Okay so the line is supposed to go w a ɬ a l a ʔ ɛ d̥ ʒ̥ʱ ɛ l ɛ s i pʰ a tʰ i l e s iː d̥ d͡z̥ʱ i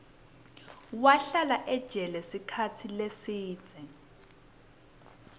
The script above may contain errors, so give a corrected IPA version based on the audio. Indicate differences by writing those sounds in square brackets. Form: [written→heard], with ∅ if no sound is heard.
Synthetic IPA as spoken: w a ɬ a l a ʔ ɛ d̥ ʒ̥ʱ ɛ l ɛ s i [pʰ→kʰ] a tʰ i l e s iː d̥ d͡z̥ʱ [i→ɛ]